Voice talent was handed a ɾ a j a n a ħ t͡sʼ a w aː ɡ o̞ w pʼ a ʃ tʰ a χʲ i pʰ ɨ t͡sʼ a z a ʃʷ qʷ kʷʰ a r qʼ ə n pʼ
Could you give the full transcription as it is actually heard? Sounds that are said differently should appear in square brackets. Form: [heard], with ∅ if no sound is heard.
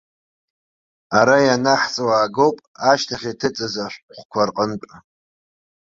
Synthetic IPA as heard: a ɾ a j a n a ħ t͡sʼ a w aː ɡ o̞ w pʼ a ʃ tʰ a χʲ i [tʰ] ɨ t͡sʼ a z a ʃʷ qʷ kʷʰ a r qʼ ə n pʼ